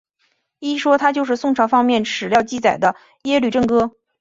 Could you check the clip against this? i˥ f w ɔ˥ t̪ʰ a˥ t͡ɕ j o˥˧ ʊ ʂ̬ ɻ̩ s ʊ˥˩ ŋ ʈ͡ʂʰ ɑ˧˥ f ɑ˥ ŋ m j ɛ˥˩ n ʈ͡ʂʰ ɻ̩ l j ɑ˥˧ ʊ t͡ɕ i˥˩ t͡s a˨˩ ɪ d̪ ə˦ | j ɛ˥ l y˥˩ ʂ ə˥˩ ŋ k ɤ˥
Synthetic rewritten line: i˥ ʂ w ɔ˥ t̪ʰ a˥ t͡ɕ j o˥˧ ʊ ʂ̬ ɻ̩ s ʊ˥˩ ŋ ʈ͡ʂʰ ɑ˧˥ f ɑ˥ ŋ m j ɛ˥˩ n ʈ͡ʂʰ ɻ̩ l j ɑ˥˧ ʊ t͡ɕ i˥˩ t͡s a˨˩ ɪ d̪ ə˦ | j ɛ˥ l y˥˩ ʈ͡ʂ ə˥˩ ŋ k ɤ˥

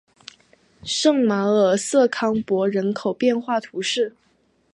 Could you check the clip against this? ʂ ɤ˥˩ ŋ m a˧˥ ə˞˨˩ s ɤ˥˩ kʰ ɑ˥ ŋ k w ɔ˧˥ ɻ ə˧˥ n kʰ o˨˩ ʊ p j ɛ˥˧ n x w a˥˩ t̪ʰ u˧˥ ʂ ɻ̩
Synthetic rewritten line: ʂ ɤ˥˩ ŋ m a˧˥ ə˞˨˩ s ɤ˥˩ kʰ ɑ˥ ŋ p w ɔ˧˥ ɻ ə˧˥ n kʰ o˨˩ ʊ p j ɛ˥˧ n x w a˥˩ t̪ʰ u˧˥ ʂ ɻ̩

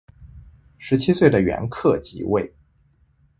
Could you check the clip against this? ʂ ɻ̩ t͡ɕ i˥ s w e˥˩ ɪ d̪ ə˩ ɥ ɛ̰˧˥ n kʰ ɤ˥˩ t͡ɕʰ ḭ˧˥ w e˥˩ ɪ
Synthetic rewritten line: ʂ ɻ̩ t͡ɕʰ i˥ s w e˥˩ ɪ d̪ ə˩ ɥ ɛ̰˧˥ n kʰ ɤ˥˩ t͡ɕ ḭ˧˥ w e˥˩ ɪ

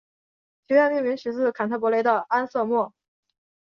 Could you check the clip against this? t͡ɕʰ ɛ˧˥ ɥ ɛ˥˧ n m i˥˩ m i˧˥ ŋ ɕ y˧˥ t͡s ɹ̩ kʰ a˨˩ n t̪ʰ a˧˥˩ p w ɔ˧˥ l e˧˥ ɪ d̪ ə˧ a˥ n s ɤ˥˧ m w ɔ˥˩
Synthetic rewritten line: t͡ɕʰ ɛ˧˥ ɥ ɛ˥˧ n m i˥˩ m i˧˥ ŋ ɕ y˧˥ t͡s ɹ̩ kʰ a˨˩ n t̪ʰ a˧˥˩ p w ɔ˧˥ l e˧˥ ɪ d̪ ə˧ a˥ n s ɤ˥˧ m w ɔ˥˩

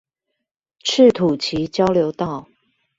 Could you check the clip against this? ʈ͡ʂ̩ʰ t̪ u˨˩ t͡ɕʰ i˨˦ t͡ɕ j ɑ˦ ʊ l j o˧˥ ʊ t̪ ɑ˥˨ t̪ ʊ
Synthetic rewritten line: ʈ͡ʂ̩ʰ t̪ʰ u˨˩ t͡ɕʰ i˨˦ t͡ɕ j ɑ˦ ʊ l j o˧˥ ʊ t̪ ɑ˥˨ ʊ

